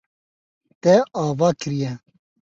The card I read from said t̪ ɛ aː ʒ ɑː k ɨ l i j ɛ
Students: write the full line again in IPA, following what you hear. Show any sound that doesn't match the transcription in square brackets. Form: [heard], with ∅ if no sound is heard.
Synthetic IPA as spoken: t̪ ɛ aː [v] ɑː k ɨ [ɾ] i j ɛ